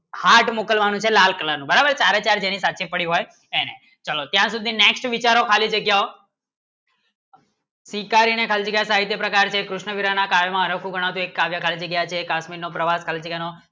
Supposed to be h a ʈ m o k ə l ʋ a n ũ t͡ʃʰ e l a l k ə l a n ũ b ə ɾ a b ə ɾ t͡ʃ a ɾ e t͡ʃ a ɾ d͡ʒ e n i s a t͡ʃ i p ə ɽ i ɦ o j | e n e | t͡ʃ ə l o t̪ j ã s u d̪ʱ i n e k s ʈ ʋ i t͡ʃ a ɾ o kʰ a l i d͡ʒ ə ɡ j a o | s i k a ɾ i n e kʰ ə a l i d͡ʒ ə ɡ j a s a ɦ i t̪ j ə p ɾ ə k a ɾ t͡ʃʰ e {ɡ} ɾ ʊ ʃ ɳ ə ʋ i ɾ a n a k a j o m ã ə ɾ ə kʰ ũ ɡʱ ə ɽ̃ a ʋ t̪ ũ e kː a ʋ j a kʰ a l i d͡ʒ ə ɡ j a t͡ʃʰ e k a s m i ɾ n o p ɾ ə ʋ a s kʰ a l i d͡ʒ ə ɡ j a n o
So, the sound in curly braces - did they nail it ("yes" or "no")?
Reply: no